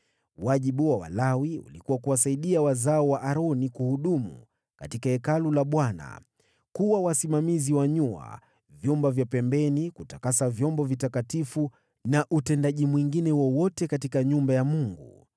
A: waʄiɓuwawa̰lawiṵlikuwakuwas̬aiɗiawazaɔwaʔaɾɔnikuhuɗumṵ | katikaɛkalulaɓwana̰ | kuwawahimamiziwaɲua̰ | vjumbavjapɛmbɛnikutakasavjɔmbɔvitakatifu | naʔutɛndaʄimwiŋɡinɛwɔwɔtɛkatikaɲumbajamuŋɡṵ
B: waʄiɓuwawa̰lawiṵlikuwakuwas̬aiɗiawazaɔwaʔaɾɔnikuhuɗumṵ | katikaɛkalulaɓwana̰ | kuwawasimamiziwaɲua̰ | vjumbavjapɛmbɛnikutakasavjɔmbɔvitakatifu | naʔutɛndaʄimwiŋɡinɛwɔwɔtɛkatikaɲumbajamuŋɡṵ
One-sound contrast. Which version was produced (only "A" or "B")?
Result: B